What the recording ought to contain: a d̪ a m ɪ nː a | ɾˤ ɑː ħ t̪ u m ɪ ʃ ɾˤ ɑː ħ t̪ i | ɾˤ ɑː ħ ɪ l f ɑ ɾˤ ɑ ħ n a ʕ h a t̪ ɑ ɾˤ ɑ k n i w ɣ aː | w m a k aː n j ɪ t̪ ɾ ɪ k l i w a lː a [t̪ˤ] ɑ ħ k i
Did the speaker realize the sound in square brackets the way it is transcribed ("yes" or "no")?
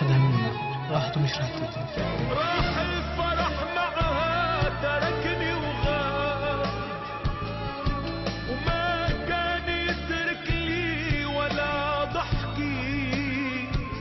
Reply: no